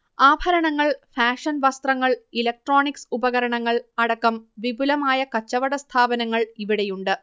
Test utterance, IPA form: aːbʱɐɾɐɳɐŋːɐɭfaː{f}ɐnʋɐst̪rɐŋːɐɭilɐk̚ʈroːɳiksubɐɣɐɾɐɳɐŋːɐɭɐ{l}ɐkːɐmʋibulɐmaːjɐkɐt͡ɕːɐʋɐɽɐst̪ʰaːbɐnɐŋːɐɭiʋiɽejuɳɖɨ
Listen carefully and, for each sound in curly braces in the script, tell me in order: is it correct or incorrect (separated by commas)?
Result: incorrect, incorrect